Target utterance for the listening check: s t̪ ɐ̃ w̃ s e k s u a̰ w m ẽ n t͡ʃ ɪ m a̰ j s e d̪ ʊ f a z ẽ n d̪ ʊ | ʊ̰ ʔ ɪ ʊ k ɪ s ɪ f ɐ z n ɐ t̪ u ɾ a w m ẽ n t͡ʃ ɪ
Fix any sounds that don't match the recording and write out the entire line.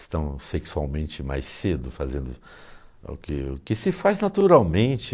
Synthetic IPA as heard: s t̪ ɐ̃ w̃ s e k s u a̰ w m ẽ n t͡ʃ ɪ m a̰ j s e d̪ ʊ f a z ẽ n d̪ ʊ | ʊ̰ k ɪ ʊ k ɪ s ɪ f a z n a t̪ u ɾ a w m ẽ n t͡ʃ ɪ